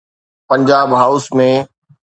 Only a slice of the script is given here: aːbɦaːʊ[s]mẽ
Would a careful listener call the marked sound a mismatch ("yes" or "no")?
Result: no